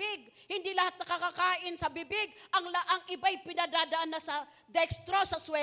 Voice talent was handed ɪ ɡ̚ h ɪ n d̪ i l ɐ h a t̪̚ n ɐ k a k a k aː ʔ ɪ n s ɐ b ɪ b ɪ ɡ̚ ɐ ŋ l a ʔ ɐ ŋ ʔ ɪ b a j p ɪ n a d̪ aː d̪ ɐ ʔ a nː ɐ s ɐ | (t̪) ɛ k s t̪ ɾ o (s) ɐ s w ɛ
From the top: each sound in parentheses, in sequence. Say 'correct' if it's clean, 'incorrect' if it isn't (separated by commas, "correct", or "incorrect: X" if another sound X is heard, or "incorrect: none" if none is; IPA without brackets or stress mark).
incorrect: d̪, correct